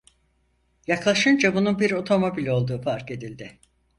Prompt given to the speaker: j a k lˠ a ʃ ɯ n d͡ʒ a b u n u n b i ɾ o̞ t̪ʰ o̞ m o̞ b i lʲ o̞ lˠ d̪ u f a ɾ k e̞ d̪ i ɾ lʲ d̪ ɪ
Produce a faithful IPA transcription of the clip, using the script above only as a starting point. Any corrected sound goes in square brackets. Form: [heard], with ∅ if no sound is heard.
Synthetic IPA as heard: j a k lˠ a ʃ ɯ n d͡ʒ a b u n u n b i ɾ o̞ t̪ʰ o̞ m o̞ b i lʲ o̞ lˠ d̪ [uː] f a ɾ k e̞ d̪ i [∅] lʲ d̪ ɪ